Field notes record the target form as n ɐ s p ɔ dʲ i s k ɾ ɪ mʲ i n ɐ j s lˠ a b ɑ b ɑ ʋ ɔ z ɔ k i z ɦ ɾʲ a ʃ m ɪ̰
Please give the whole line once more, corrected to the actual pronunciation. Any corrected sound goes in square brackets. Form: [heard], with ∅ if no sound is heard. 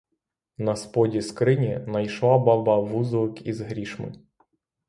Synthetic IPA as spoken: n ɐ s p ɔ dʲ i s k ɾ ɪ [nʲ] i n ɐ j [ʃ] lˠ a b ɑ b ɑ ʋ [u] z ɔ k i z ɦ ɾʲ [i] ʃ m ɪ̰